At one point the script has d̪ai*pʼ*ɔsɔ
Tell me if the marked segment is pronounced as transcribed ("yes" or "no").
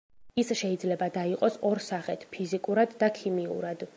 no